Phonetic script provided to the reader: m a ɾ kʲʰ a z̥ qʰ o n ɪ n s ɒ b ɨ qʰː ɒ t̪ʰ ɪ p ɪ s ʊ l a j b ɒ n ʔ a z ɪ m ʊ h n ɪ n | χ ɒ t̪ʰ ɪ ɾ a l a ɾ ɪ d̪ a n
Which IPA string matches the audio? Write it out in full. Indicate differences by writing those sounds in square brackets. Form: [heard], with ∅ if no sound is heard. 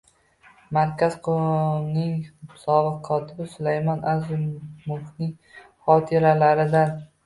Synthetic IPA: m a ɾ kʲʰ a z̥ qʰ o n ɪ [ŋ] s ɒ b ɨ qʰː ɒ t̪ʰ ɪ [b] ɪ s ʊ l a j [m] ɒ n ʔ a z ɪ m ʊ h n ɪ [ŋ] | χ ɒ t̪ʰ ɪ ɾ a l a ɾ ɪ d̪ a n